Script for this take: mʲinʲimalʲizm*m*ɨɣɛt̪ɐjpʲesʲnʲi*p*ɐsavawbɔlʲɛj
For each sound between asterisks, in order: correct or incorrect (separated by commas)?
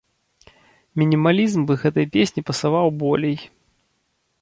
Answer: incorrect, correct